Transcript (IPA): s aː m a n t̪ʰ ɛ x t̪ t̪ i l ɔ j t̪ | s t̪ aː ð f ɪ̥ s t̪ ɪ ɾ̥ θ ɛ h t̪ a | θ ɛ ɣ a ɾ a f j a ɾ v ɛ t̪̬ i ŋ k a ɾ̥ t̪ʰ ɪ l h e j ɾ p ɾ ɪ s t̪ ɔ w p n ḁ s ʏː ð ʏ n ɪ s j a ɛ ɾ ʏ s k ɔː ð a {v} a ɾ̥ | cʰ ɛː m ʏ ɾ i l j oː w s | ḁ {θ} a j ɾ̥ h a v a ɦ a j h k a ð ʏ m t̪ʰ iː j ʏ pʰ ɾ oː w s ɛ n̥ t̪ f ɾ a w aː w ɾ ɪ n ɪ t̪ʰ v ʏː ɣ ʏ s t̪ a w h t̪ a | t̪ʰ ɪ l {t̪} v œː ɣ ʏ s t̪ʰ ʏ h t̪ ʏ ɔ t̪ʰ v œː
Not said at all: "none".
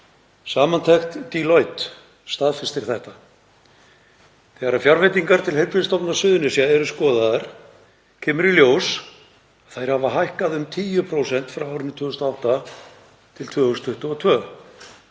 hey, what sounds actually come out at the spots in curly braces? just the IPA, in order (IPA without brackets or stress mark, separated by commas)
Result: ð, θ, t̪ʰ